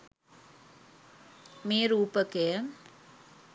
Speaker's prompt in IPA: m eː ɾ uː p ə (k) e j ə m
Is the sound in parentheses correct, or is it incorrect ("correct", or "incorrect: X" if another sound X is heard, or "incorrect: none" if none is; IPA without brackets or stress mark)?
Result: correct